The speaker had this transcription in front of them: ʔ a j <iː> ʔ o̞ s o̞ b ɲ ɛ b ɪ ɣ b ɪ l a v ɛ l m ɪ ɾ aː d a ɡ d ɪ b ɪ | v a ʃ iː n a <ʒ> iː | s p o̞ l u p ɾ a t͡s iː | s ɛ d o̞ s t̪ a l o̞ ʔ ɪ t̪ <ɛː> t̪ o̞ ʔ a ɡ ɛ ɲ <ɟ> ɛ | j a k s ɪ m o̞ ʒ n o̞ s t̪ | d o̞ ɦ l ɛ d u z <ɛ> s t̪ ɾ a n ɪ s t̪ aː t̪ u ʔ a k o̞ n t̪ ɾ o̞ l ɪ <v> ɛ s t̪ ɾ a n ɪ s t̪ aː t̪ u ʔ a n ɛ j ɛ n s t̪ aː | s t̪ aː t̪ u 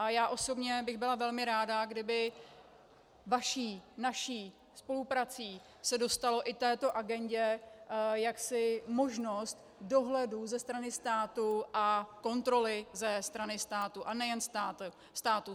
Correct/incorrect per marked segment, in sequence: incorrect, incorrect, correct, correct, correct, incorrect

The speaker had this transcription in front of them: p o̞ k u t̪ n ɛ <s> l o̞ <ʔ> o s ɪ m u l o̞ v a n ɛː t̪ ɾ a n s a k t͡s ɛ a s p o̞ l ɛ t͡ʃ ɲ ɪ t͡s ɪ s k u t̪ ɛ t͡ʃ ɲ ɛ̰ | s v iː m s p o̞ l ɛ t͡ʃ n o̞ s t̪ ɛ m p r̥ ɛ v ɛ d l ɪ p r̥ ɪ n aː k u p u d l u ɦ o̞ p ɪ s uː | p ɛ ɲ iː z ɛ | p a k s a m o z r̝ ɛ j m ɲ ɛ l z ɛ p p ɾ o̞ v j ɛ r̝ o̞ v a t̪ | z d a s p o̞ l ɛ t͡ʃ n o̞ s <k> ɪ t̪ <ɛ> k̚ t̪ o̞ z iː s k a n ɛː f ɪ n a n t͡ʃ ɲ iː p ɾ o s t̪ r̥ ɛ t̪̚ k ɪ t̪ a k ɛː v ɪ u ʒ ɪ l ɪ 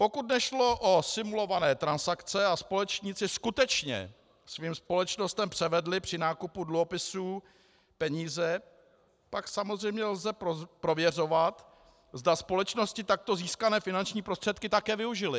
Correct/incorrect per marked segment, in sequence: incorrect, correct, incorrect, incorrect

